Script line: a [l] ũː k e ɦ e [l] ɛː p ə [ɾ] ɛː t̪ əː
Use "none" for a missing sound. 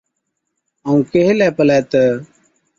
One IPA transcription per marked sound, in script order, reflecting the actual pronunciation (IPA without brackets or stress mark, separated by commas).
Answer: none, l, l